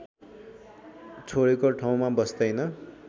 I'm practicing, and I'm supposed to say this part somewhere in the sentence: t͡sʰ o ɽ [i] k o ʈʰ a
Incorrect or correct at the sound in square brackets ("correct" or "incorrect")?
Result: incorrect